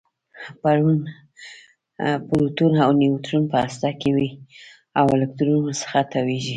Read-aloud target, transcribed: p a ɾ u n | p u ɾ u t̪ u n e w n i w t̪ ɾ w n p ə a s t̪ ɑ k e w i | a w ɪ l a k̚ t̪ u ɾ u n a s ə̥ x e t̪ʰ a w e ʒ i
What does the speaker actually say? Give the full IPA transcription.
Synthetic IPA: p a ɾ u n | p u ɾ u t̪ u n a w n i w t̪ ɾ u n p ə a s t̪ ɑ k e w i | a w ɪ l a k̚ t̪ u ɾ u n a s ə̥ x a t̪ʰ a w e ʒ i